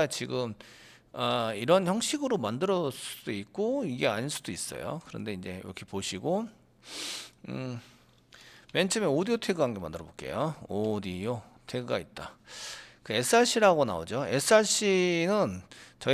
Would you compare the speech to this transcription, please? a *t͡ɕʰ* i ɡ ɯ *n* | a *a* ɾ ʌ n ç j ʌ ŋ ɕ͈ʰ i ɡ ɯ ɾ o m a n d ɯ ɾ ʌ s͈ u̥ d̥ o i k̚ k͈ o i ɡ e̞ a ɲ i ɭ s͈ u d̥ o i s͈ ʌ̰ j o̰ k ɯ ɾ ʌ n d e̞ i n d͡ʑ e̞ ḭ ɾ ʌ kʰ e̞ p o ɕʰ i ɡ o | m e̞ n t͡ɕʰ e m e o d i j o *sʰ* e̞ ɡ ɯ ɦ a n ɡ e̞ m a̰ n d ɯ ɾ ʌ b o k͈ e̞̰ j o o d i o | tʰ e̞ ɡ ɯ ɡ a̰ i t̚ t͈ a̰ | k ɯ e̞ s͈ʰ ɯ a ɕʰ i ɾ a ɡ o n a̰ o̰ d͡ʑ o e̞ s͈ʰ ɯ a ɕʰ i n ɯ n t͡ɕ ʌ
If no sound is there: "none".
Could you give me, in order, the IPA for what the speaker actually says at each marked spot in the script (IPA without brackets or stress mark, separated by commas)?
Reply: t͡ɕ, m, i, tʰ